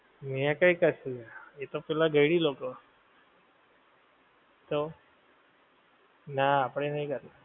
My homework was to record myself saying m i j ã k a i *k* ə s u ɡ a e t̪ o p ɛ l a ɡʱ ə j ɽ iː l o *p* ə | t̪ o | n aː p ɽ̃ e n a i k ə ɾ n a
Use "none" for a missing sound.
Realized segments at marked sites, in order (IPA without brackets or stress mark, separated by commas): k, k